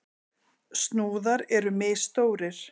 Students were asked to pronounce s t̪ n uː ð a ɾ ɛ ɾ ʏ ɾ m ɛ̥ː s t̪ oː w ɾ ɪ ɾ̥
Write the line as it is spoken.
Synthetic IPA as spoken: s t̪ n uː ð a ɾ ɛ ɾ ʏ m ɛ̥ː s t̪ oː w ɾ ɪ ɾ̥